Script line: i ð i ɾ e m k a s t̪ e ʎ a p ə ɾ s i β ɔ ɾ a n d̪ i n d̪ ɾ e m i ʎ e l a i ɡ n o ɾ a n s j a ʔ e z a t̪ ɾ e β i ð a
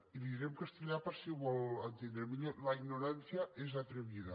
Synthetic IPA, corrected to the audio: i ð i ɾ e m k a s t̪ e ʎ a p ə ɾ s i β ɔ l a n t̪ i n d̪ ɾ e m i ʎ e l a i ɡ n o ɾ a n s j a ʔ e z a t̪ ɾ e β i ð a